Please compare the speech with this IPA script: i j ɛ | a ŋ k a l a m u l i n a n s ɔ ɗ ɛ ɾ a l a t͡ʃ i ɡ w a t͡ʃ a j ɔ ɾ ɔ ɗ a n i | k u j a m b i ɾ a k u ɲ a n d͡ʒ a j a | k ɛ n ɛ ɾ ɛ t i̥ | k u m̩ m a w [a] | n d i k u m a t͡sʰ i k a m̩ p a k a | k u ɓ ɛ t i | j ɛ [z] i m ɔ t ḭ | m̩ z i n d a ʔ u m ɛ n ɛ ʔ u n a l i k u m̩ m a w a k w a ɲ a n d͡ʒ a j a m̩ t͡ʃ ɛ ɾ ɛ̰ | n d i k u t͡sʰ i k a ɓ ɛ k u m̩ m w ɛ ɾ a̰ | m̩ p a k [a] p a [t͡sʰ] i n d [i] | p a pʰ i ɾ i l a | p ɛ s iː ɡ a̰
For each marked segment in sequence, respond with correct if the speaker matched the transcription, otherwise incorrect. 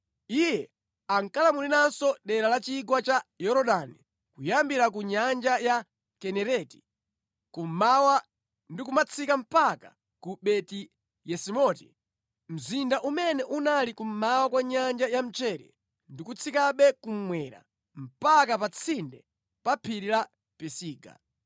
correct, incorrect, correct, correct, incorrect

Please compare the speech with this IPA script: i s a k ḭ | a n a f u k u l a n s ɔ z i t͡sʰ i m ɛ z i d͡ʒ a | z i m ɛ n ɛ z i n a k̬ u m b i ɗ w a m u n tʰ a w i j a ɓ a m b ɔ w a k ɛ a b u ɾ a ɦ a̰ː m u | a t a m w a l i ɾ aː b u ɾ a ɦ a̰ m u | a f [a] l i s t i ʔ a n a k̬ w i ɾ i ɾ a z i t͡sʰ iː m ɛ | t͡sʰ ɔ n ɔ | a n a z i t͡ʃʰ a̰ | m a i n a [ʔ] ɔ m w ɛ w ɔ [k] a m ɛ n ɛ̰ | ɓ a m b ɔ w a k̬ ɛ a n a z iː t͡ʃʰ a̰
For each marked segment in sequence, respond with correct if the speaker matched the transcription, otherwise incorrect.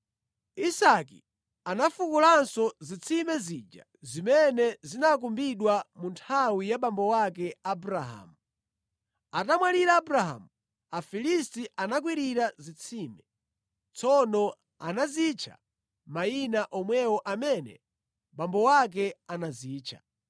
incorrect, correct, incorrect

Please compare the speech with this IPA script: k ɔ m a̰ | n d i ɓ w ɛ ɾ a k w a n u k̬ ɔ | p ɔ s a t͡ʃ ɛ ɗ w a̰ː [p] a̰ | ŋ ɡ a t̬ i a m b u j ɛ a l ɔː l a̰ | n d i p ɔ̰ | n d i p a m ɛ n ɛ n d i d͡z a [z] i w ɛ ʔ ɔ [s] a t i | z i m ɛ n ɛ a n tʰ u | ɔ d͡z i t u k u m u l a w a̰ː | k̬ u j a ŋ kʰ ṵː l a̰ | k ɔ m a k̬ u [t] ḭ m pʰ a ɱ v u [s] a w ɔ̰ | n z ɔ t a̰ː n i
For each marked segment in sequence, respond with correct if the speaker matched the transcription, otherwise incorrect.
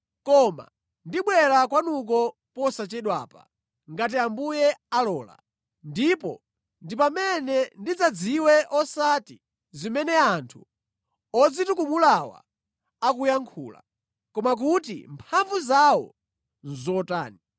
correct, incorrect, correct, correct, incorrect

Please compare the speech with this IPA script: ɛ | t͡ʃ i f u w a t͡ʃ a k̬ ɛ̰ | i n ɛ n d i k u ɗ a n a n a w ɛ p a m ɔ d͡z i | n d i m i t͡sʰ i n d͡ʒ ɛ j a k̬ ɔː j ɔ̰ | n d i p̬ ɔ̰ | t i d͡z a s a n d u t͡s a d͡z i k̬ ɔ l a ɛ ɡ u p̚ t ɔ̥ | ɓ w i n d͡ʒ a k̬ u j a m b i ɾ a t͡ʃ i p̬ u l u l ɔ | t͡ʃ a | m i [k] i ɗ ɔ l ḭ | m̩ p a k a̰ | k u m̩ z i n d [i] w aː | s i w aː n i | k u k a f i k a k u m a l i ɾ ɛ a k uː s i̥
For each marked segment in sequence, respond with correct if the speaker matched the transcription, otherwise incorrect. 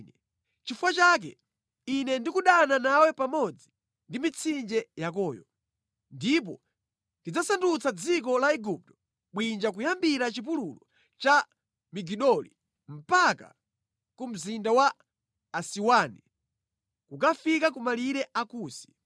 incorrect, incorrect

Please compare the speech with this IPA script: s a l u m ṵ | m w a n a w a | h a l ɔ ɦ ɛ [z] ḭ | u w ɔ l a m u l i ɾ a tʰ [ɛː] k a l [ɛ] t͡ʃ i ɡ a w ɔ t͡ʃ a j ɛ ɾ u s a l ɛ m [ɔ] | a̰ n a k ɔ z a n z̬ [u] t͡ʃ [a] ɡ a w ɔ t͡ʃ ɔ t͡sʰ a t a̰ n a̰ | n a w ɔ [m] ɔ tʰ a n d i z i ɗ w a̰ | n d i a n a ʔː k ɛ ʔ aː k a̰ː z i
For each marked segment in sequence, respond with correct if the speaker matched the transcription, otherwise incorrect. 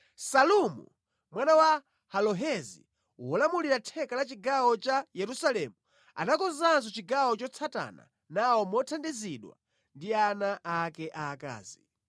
correct, incorrect, incorrect, incorrect, incorrect, incorrect, correct

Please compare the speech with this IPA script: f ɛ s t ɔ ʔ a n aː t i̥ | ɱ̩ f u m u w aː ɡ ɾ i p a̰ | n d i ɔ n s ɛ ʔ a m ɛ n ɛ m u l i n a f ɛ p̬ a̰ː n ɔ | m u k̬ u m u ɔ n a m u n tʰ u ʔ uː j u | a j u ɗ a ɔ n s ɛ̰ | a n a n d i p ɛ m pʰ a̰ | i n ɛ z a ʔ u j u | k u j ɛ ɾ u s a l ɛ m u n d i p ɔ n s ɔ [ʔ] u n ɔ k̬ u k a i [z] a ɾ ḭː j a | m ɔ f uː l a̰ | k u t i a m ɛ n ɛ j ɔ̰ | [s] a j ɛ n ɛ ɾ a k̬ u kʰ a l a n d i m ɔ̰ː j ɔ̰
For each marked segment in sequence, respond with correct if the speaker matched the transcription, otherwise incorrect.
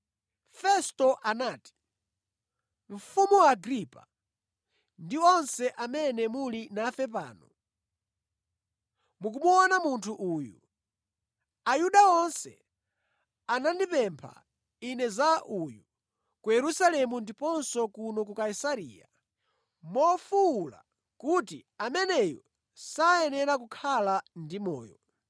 incorrect, incorrect, correct

